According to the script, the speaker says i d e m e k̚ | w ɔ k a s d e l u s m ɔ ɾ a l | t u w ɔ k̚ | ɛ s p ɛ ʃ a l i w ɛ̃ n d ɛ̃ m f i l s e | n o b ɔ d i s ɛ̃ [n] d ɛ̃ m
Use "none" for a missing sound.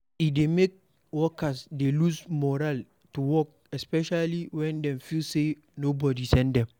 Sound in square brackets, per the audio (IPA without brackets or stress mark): n